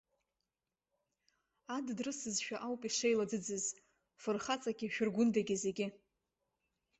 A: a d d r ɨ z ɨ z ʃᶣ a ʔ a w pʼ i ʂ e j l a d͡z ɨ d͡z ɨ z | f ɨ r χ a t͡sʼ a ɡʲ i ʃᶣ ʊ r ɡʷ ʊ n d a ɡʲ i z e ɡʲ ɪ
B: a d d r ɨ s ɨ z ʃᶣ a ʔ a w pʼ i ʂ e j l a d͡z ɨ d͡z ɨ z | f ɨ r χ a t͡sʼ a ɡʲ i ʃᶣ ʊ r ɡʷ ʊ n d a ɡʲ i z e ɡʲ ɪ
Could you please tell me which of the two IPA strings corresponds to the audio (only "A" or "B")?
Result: B